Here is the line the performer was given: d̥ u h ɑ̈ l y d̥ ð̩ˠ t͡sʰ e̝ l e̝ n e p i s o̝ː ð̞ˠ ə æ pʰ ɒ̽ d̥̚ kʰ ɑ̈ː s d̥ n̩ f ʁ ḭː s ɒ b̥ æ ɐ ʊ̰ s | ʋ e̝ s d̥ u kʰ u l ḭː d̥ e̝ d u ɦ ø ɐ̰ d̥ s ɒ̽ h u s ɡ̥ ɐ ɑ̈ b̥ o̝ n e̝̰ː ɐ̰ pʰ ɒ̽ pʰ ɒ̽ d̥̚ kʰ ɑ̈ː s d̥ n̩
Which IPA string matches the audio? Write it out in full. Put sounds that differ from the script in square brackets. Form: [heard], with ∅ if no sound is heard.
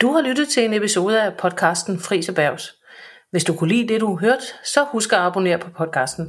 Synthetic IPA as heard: d̥ u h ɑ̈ l y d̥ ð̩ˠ t͡sʰ e̝ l e̝ n e p i s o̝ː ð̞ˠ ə æ pʰ ɒ̽ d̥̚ kʰ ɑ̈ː s d̥ n̩ f ʁ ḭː s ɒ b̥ æ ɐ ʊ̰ s | ʋ e̝ s d̥ u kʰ u l ḭː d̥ e̝ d u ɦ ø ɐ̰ d̥ s ɒ̽ h u s ɡ̥ ɐ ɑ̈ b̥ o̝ n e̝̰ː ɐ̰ pʰ ɒ̽ pʰ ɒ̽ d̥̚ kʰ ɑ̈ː s d̥ n̩